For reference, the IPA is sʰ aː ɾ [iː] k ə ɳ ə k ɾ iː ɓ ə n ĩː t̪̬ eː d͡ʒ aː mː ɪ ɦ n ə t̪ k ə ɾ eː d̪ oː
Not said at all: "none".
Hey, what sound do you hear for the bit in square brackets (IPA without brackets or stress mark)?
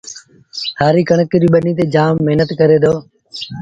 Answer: iː